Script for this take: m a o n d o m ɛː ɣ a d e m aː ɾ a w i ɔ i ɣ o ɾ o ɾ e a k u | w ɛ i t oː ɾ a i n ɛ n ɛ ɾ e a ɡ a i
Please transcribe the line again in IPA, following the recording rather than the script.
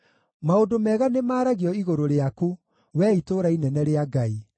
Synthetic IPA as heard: m a o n d o m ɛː ɣ a n e m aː ɾ a ɣ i ɔ i ɣ o ɾ o ɾ e a k u | w ɛ i t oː ɾ a i n ɛ n ɛ ɾ e a ɡ a i